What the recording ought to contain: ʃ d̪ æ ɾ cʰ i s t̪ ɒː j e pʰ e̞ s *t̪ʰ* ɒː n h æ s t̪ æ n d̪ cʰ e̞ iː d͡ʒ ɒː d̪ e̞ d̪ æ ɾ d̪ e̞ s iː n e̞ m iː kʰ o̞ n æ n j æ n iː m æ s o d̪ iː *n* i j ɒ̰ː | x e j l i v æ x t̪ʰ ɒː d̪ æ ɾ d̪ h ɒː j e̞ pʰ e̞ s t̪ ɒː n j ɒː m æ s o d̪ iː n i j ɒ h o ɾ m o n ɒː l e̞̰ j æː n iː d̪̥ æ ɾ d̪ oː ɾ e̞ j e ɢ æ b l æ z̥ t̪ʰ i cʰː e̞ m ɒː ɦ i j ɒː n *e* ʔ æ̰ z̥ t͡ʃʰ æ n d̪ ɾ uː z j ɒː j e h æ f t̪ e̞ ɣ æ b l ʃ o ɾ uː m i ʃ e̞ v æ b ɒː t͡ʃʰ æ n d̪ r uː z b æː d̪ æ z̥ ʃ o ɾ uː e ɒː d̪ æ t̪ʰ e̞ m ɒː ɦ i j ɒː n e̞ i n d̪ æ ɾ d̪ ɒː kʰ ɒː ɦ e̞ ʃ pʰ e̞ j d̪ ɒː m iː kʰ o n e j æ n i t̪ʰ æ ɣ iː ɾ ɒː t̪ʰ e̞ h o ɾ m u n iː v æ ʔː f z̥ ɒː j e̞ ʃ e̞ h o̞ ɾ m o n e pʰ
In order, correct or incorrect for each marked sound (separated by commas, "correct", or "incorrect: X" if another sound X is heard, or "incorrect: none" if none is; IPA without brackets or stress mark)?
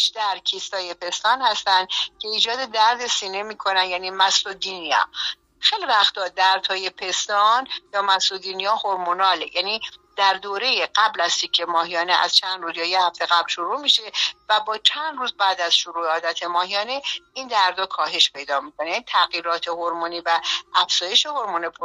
incorrect: t̪, correct, correct